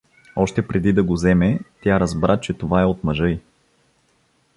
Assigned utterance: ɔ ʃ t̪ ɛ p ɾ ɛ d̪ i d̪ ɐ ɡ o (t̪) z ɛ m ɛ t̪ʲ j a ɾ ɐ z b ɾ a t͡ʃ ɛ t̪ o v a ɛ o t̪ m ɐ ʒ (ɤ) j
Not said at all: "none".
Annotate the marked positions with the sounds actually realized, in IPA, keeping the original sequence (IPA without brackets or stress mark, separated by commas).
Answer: none, ɤ